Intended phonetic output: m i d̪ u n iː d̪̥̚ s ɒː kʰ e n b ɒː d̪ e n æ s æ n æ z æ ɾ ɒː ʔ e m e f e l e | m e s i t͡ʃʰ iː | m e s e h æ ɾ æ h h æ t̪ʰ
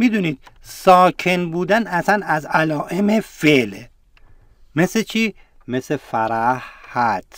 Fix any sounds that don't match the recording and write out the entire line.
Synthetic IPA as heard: m i d̪ u n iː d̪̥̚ s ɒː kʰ e n b uː d̪ æ n æ s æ n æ z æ l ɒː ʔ e m e f e l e | m e s e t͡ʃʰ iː | m e s e f æ ɾ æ h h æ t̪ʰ